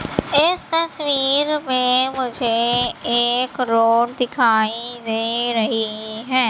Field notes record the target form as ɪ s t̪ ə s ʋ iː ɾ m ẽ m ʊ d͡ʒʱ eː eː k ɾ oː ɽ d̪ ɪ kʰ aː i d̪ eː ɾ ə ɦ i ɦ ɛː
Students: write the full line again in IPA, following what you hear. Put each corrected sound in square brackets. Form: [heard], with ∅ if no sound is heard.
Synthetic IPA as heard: ɪ s t̪ ə s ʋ iː ɾ m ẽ m ʊ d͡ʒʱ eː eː k ɾ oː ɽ d̪ ɪ kʰ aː i d̪ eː ɾ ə ɦ i ɦ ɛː